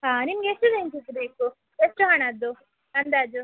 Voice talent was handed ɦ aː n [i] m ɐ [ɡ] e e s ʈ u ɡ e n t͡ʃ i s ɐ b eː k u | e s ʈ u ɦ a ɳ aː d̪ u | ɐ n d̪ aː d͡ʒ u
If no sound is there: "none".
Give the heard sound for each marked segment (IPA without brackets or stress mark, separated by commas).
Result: i, ɡ